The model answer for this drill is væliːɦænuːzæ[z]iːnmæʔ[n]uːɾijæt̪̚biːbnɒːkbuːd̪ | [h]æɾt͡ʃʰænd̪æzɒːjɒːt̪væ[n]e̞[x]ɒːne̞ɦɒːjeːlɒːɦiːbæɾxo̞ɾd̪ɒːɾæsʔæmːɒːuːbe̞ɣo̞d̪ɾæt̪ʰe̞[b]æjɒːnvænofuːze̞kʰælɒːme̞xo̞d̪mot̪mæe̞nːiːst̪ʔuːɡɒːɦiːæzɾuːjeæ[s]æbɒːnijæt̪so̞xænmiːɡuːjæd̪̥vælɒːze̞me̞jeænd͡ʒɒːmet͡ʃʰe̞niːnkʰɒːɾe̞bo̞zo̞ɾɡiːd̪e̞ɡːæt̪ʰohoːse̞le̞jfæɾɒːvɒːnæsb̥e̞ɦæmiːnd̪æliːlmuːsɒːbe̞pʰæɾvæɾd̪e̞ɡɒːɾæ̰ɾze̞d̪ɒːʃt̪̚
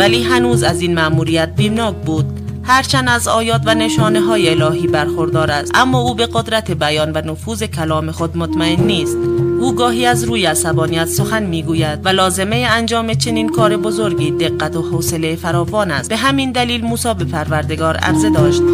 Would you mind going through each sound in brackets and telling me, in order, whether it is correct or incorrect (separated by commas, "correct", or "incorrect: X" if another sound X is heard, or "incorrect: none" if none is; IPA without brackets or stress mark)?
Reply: correct, incorrect: m, correct, correct, incorrect: ʃ, correct, correct